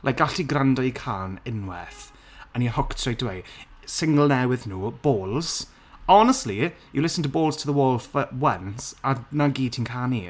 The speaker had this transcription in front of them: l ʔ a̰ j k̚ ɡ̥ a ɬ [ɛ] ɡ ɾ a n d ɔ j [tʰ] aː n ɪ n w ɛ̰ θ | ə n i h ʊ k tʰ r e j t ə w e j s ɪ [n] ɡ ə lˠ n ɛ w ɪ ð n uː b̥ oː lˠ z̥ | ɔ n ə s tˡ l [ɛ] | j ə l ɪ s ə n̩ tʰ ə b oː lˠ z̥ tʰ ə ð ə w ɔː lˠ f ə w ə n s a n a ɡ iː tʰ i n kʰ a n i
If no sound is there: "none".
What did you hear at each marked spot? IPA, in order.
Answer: i, kʰ, ŋ, i

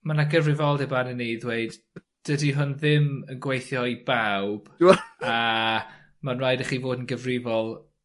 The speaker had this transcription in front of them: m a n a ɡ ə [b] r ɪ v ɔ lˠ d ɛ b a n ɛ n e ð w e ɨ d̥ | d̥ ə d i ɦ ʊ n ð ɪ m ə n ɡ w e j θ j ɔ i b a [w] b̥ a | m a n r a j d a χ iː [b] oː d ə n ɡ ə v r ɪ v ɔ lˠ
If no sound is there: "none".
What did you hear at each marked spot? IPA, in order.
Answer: v, w, v

